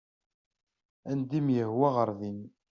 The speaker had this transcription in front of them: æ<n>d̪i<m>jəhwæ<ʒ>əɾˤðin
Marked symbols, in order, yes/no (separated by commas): yes, yes, no